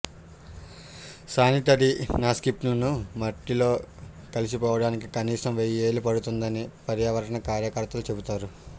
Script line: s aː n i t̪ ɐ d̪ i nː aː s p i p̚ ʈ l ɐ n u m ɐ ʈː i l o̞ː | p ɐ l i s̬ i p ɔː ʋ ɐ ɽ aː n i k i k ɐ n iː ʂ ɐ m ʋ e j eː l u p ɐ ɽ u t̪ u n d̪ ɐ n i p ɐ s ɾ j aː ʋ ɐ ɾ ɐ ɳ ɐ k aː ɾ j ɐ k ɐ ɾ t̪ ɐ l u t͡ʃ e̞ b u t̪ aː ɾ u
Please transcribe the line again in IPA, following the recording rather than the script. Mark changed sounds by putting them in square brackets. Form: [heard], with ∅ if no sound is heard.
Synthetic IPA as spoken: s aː n i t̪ ɐ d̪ i [n] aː s [k] i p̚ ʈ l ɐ n u m ɐ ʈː i l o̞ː | [k] ɐ l i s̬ i p ɔː ʋ ɐ ɽ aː n i k i k ɐ n iː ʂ ɐ m ʋ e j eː l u p ɐ ɽ u t̪ u n d̪ ɐ n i p ɐ [∅] ɾ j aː ʋ ɐ ɾ ɐ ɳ ɐ k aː ɾ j ɐ k ɐ ɾ t̪ ɐ l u t͡ʃ e̞ b u t̪ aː ɾ u